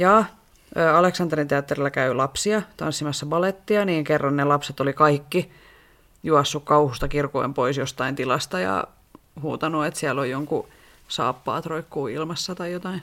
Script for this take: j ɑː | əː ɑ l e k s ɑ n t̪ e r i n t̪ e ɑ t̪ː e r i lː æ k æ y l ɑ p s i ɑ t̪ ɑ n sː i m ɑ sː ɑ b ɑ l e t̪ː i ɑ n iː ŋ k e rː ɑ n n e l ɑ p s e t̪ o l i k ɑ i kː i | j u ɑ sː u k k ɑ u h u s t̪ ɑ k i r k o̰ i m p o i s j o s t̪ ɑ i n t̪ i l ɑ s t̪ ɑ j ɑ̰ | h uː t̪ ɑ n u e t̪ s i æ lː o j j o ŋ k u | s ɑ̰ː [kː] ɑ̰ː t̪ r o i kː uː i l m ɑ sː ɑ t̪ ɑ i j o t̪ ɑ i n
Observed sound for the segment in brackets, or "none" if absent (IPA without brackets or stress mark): pː